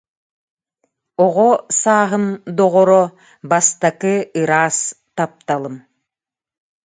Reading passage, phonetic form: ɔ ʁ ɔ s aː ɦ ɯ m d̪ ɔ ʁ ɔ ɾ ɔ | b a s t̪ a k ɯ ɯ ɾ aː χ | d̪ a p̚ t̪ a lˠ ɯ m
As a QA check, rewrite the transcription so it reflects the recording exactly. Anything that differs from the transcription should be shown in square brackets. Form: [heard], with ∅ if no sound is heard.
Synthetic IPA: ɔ ʁ ɔ s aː ɦ ɯ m d̪ ɔ ʁ ɔ ɾ ɔ | b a s t̪ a k ɯ ɯ ɾ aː [s] | [t̪] a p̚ t̪ a lˠ ɯ m